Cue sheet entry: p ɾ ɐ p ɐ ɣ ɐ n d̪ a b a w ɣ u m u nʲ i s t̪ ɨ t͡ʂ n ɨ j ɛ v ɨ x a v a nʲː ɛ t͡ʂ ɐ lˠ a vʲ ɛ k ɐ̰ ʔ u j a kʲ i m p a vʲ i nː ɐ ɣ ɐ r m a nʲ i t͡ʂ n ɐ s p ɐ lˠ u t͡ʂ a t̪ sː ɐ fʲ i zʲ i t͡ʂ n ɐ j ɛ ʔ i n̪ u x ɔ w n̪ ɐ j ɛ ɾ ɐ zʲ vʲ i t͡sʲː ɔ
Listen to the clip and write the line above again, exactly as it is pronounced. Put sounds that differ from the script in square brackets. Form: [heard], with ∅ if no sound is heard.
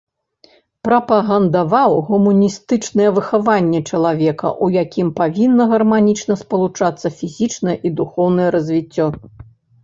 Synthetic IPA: p ɾ ɐ p ɐ ɣ ɐ n d̪ a [v] a w ɣ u m u nʲ i s t̪ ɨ t͡ʂ n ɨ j ɛ v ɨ x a v a nʲː ɛ t͡ʂ ɐ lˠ a vʲ ɛ k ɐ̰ ʔ u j a kʲ i m p a vʲ i nː ɐ ɣ ɐ r m a nʲ i t͡ʂ n ɐ s p ɐ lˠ u t͡ʂ a t̪ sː ɐ fʲ i zʲ i t͡ʂ n ɐ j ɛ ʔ i [d̪] u x ɔ w n̪ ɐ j ɛ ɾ ɐ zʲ vʲ i t͡sʲː ɔ